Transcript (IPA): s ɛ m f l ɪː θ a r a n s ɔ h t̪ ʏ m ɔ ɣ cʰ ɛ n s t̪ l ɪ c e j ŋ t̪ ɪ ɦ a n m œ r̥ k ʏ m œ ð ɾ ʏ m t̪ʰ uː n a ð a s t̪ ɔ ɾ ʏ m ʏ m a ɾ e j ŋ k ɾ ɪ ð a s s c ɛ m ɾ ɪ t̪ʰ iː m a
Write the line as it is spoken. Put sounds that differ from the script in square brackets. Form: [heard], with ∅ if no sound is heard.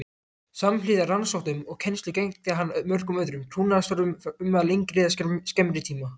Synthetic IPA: s [a] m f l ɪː [ð] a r a n s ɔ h t̪ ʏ m ɔ ɣ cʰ ɛ n s t̪ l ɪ c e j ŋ t̪ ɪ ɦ a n m œ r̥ k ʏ m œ ð ɾ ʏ m t̪ʰ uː n a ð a s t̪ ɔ ɾ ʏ m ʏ m a [l] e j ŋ k ɾ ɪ ð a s s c ɛ m ɾ ɪ t̪ʰ iː m a